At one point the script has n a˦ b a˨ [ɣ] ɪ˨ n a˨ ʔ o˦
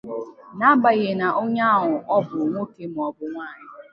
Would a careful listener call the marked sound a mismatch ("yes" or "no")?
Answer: no